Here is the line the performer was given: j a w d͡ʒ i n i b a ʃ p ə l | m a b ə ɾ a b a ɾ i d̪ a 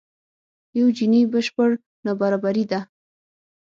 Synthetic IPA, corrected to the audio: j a w d͡ʒ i n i b ə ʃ p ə ɽ | n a b a ɾ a b a ɾ i d̪ a